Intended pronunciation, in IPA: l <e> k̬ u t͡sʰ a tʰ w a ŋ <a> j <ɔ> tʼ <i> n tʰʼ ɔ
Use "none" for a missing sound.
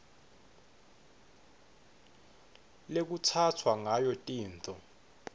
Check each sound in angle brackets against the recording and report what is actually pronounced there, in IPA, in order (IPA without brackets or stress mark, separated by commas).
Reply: e, a, ɔ, iː